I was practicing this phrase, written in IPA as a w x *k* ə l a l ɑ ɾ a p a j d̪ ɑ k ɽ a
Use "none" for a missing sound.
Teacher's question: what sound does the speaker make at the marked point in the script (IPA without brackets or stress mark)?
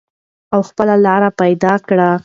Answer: p